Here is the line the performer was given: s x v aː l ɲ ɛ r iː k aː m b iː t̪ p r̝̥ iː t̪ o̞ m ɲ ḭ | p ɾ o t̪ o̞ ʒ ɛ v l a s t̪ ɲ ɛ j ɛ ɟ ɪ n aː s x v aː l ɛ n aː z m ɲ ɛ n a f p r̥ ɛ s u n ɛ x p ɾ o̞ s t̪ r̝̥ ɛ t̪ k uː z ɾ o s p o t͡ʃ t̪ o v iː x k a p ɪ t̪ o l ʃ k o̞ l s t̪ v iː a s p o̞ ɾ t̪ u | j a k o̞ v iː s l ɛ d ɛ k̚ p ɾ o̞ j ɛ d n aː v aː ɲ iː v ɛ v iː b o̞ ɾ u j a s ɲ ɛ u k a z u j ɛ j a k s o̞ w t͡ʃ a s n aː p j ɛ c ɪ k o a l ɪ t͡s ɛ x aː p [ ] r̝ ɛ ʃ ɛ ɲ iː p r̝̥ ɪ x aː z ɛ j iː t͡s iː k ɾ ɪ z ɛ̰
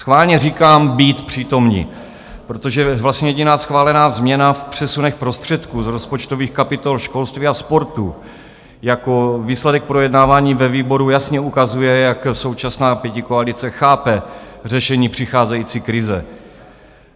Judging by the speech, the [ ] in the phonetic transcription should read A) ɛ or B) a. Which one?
A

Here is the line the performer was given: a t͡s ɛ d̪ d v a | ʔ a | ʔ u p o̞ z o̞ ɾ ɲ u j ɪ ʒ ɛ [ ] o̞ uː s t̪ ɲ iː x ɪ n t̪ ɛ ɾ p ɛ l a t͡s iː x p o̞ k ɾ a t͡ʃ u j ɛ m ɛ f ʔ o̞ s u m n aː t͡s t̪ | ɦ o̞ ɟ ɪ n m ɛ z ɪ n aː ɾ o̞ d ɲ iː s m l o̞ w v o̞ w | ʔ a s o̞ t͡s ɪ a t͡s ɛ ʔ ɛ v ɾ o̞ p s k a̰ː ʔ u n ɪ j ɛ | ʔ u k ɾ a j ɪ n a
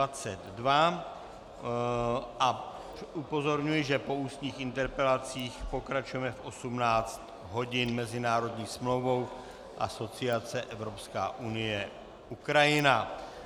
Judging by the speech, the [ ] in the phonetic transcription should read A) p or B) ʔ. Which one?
A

